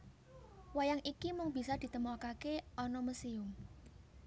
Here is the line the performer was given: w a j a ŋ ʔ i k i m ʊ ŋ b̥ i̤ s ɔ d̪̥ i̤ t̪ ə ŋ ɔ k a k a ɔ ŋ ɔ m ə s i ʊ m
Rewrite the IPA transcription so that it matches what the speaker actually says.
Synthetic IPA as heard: w a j a ŋ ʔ i k i m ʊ ŋ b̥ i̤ s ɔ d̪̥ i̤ t̪ ə m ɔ k a k e ɔ n ɔ m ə s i ʊ m